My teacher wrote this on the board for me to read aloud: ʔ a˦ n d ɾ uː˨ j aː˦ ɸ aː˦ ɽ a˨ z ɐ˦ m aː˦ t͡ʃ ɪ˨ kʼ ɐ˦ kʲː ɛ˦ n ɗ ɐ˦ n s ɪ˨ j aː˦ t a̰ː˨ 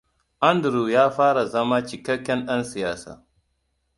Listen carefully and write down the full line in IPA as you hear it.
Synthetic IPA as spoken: ʔ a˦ n d ɾ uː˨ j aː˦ ɸ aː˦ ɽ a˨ z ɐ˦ m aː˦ t͡ʃ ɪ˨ k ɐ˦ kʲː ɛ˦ n ɗ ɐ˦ n s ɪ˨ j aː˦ s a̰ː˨